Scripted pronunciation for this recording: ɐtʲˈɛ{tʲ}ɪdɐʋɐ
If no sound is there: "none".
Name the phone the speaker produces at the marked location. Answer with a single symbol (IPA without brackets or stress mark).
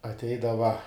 none